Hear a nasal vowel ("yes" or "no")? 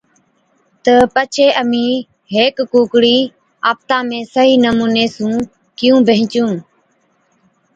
yes